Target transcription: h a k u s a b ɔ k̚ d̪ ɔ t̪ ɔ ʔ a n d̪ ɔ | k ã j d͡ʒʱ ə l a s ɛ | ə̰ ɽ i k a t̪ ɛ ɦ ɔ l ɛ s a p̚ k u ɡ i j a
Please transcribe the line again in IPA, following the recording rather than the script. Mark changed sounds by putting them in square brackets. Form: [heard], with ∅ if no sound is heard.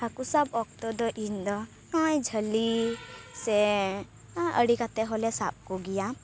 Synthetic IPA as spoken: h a k u s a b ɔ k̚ [t̪] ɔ [d̪] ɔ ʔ [i] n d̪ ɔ | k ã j d͡ʒʱ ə l [i] s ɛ | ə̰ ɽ i k a t̪ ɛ ɦ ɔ l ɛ s a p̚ k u ɡ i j a

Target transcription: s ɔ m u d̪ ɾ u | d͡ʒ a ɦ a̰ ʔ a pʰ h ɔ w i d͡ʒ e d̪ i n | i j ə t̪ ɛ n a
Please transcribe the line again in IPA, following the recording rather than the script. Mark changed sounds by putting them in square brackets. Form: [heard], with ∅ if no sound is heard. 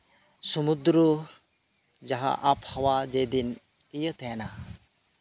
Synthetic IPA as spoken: s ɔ m u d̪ ɾ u | d͡ʒ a ɦ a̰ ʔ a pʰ h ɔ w [a] d͡ʒ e d̪ i n | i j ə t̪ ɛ n a

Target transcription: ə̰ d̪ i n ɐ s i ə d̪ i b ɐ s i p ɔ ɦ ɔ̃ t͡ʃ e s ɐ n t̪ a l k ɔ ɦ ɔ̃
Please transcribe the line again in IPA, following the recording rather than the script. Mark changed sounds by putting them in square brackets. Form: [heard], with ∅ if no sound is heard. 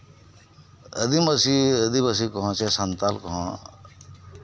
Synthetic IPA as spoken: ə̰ d̪ i [m] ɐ s i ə d̪ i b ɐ s i [k] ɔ ɦ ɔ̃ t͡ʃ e s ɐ n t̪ a l k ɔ ɦ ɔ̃

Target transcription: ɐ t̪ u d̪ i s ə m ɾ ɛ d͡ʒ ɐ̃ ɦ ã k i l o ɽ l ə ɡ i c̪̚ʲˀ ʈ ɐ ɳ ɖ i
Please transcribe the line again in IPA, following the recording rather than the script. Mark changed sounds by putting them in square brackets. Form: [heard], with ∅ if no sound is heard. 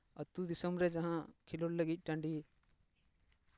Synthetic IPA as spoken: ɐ t̪ u d̪ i s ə m ɾ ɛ d͡ʒ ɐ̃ ɦ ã [kʰ] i l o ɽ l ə ɡ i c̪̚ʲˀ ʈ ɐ ɳ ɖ i

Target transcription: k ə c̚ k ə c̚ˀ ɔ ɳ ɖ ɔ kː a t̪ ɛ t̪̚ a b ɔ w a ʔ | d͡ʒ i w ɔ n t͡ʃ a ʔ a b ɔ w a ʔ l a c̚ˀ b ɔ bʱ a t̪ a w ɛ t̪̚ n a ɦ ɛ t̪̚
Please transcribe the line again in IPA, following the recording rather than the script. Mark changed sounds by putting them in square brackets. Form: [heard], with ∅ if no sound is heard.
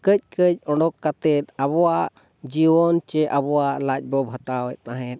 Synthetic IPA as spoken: k ə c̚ k ə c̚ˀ ɔ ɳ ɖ ɔ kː a t̪ ɛ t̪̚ a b ɔ w a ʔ | d͡ʒ i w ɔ n t͡ʃ [ɛ] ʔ a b ɔ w a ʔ l a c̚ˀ b ɔ bʱ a t̪ a w ɛ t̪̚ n a ɦ ɛ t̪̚

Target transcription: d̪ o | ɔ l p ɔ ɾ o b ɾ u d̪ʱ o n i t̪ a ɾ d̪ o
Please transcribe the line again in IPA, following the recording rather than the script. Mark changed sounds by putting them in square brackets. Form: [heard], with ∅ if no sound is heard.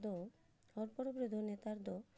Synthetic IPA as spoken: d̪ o | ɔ [ɾ] p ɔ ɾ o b ɾ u d̪ʱ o n [e] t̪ a ɾ d̪ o

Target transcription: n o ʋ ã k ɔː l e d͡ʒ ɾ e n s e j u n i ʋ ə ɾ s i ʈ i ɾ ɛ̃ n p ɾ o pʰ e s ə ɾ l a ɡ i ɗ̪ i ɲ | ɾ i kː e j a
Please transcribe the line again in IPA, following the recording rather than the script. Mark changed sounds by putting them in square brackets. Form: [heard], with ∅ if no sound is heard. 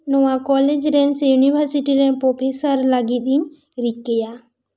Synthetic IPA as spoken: n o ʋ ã k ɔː l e d͡ʒ ɾ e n s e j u n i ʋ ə ɾ s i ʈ i ɾ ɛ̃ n p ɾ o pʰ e s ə ɾ l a ɡ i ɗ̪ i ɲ | ɾ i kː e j a

